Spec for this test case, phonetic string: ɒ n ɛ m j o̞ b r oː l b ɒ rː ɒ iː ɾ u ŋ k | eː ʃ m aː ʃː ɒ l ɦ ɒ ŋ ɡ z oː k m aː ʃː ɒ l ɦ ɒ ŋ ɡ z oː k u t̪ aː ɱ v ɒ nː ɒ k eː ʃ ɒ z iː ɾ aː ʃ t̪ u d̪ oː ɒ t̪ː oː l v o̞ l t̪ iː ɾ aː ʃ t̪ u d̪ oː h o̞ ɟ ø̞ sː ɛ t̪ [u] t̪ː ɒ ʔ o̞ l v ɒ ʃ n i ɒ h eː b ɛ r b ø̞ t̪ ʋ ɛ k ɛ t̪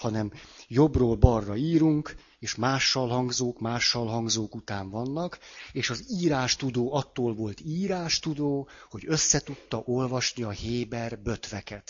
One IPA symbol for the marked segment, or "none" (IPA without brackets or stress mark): u